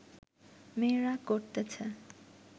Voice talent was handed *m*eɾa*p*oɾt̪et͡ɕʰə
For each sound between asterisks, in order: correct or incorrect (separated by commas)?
correct, incorrect